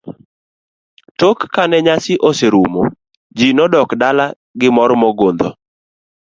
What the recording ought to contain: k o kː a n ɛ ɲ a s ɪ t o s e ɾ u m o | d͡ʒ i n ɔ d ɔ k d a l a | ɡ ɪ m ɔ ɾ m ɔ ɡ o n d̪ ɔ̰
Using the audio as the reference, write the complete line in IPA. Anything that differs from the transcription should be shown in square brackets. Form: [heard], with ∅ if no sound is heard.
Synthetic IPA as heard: [t] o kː a n ɛ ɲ a s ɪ [ʔ] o s e ɾ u m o | d͡ʒ i n ɔ d ɔ k d a l a | ɡ ɪ m ɔ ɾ m ɔ ɡ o n d̪ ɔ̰